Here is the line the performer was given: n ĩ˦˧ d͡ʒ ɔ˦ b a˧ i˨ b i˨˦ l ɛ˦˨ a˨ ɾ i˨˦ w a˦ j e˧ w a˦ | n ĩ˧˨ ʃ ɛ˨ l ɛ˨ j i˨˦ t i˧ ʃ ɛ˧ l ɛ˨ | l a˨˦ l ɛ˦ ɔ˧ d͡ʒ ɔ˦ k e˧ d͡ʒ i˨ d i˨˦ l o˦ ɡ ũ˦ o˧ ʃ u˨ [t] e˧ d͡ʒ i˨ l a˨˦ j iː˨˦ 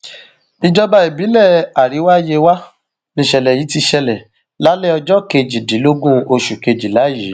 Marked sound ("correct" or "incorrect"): incorrect